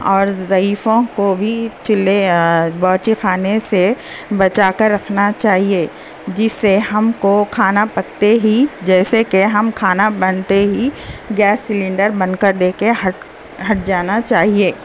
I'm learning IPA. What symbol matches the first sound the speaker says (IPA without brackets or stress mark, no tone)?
ɔː